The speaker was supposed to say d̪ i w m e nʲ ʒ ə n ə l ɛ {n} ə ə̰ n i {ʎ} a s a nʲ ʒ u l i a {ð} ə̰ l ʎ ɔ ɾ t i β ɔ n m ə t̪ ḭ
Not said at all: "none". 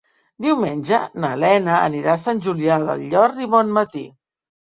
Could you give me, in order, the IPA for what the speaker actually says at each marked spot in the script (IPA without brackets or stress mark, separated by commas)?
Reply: n, ɾ, ð